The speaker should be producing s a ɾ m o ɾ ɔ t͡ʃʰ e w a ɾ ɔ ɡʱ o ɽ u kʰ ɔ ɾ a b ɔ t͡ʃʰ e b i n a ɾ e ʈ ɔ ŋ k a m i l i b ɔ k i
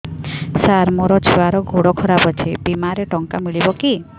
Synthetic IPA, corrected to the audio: s a ɾ m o ɾ ɔ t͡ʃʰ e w a ɾ ɔ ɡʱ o ɽ ɔ kʰ ɔ ɾ a b ɔ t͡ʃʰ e b i m a ɾ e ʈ ɔ ŋ k a m i ɭ i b ɔ k i